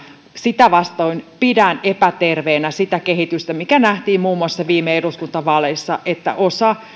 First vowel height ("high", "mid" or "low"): high